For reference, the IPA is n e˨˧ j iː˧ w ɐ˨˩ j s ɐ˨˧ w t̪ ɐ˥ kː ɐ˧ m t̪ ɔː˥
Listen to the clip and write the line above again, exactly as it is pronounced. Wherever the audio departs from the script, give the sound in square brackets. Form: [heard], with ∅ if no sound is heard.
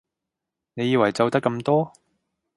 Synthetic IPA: n e˨˧ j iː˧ w ɐ˨˩ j [t͡s] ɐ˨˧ w t̪ ɐ˥ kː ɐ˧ m t̪ ɔː˥